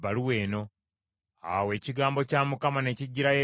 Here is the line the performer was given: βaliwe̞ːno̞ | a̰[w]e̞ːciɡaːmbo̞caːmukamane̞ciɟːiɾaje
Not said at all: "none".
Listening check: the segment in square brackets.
w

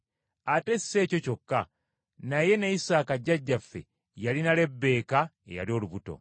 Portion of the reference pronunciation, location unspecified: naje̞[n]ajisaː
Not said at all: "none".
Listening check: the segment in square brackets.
n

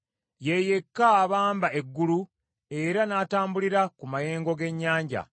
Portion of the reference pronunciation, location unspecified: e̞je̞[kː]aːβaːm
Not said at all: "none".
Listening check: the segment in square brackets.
kː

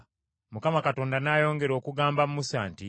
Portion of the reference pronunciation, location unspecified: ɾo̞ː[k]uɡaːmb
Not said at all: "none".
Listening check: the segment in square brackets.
k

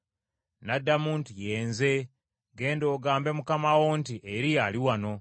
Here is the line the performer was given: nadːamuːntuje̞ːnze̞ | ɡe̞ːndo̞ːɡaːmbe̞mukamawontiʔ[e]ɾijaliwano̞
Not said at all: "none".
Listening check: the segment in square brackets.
e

